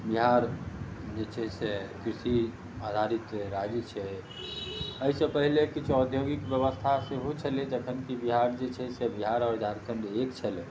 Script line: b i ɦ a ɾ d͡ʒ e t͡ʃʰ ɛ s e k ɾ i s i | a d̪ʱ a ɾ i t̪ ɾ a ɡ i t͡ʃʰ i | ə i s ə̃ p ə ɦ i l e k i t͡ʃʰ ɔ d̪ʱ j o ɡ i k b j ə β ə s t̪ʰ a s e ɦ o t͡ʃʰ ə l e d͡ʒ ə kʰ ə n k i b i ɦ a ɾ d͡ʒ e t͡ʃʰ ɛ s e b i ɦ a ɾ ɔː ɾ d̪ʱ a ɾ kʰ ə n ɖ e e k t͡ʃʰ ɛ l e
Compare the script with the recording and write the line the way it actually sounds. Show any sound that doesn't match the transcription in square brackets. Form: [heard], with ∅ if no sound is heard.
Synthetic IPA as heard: b i ɦ a ɾ d͡ʒ e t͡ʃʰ ɛ s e k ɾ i s i | a d̪ʱ a ɾ i t̪ ɾ a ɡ i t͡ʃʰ [ɛ] | ə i s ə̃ p ə ɦ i l e k i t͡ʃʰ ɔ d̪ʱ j o ɡ i k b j ə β ə s t̪ʰ a s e ɦ o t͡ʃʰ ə l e d͡ʒ ə kʰ ə n k i b i ɦ a ɾ d͡ʒ e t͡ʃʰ ɛ s e b i ɦ a ɾ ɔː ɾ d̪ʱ a ɾ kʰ ə n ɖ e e k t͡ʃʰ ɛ l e